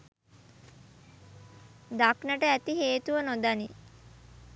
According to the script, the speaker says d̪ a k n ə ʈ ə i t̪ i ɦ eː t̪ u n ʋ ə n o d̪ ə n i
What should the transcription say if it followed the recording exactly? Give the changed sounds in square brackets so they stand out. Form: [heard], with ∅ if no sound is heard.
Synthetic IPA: d̪ a k n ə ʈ ə [æ] t̪ i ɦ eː t̪ u [∅] ʋ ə n o d̪ [a] n i